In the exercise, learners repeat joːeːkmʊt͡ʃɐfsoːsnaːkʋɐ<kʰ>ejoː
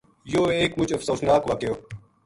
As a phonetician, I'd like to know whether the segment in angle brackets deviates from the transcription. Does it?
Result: yes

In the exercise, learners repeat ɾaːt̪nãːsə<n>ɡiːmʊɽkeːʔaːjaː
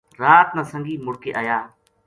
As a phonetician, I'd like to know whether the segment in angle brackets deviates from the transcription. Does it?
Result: yes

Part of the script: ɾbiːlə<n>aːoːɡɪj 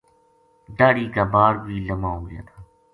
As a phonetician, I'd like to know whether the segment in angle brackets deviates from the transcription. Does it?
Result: yes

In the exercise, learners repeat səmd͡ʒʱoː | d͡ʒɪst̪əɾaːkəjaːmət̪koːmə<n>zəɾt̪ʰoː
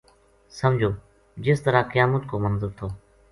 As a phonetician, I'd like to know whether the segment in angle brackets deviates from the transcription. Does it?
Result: no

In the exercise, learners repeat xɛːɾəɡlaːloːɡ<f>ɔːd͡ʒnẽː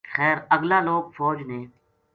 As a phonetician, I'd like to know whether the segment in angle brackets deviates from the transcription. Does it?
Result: no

